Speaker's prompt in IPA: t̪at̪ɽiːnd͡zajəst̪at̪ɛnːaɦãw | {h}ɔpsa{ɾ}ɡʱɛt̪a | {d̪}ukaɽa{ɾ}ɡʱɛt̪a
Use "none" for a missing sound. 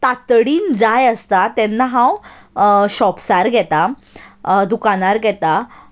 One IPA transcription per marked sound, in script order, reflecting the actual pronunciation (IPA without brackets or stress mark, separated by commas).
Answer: ɕ, ɾ, d̪, ɾ